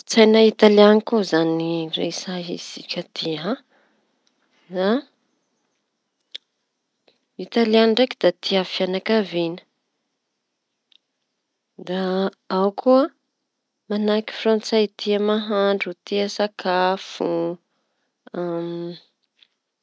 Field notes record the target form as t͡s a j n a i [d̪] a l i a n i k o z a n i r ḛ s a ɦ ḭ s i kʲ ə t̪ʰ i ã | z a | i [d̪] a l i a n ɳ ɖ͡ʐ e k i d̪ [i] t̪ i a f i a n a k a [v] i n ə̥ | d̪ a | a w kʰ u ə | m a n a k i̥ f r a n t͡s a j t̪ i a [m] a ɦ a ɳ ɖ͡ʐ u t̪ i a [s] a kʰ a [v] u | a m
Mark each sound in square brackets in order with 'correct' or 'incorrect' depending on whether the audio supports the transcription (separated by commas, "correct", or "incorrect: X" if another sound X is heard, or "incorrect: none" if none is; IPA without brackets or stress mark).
incorrect: t̪, incorrect: t̪, incorrect: a, correct, correct, correct, incorrect: f